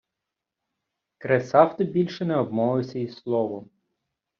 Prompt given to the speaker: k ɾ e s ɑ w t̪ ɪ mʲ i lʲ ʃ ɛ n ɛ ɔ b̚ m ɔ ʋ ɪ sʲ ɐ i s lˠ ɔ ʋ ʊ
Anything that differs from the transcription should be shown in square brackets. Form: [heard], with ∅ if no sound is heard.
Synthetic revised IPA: k ɾ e s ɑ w t̪ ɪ [bʲ] i lʲ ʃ ɛ n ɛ ɔ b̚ m ɔ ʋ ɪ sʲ ɐ i s lˠ ɔ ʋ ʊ